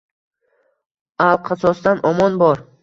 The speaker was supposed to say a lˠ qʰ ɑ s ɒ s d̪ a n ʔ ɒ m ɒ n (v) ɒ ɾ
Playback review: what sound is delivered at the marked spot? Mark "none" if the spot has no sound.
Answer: b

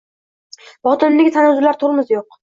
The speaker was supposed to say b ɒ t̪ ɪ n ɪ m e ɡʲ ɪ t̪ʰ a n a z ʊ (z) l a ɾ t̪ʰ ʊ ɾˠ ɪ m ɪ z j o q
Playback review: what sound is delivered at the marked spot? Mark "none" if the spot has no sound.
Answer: none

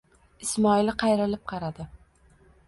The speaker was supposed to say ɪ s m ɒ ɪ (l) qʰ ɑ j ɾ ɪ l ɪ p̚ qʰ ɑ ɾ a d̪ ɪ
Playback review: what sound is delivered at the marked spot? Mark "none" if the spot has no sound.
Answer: l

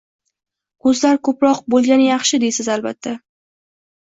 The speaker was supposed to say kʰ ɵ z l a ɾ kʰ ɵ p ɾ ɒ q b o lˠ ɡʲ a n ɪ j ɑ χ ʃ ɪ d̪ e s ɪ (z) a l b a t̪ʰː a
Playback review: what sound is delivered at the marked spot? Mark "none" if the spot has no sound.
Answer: z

